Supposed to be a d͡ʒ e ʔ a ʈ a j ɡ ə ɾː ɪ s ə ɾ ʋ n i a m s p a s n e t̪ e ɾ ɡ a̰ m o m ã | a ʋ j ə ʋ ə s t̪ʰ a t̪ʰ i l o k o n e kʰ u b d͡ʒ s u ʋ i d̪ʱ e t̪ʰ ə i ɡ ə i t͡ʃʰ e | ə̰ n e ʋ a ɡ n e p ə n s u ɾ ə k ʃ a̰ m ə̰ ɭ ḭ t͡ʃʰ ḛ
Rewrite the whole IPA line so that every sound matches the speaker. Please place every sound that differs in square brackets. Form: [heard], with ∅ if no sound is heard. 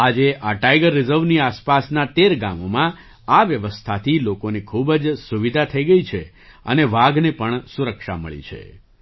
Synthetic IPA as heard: a d͡ʒ e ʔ a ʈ a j ɡ ə ɾː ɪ [z] ə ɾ ʋ n i a [∅] s p a s n [a] t̪ e ɾ ɡ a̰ m o m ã | a ʋ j ə ʋ ə s t̪ʰ a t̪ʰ i l o k o n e kʰ u b d͡ʒ s u ʋ i d̪ʱ [a] t̪ʰ ə i ɡ ə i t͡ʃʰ e | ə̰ n e ʋ a ɡ n e p ə [ɳ] s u ɾ ə k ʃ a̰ m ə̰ ɭ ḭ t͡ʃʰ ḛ